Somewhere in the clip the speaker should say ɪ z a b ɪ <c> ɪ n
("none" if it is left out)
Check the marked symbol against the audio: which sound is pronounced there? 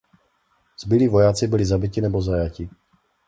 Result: c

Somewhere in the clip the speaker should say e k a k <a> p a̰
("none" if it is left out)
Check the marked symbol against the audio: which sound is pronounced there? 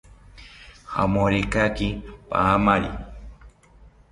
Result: i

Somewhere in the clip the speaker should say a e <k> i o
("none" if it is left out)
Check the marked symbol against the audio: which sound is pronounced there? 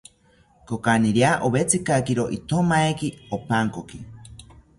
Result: k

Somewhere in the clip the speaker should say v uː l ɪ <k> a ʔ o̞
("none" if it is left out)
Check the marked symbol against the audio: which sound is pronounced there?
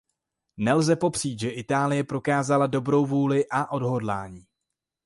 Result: ʔ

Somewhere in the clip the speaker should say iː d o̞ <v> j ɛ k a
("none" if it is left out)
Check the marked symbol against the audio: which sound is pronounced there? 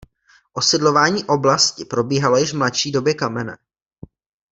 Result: b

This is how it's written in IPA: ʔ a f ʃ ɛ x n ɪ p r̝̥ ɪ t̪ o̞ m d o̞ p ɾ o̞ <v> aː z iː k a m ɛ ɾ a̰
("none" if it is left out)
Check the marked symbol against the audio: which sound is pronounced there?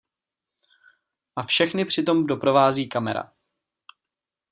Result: v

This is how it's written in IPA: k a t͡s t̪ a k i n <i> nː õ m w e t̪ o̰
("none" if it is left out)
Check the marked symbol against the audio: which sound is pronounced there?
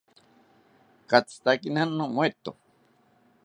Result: a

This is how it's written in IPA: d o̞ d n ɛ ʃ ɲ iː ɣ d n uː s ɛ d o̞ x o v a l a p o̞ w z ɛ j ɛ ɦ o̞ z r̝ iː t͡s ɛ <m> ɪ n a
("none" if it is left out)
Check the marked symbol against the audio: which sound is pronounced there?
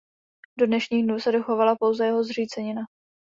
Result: ɲ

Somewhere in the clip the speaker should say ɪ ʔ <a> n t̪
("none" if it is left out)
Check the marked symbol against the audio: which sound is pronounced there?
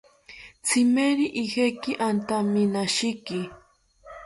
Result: a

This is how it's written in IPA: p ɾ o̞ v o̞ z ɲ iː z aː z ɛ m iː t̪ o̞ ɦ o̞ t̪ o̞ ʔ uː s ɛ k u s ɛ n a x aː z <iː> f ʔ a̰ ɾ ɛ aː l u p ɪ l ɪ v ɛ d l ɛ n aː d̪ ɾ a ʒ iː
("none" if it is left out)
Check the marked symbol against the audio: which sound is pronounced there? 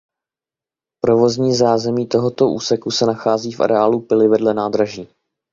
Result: iː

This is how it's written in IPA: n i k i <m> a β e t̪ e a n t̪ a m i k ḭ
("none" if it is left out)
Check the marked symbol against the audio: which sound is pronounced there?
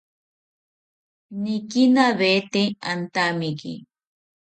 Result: n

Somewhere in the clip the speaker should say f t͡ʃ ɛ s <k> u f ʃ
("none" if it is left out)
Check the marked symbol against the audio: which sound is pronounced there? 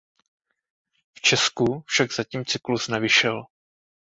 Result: k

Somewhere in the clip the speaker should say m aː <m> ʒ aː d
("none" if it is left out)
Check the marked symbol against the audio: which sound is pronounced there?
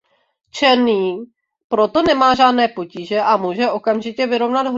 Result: none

